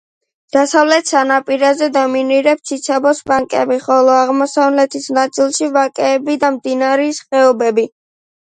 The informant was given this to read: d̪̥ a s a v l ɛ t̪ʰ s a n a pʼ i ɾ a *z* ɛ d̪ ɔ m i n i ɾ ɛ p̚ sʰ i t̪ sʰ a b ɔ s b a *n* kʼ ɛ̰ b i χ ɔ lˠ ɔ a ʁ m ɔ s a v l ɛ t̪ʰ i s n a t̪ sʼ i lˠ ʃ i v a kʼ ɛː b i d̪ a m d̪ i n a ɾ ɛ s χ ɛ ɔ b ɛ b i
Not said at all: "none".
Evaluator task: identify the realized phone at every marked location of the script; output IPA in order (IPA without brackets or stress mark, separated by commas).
z, ŋ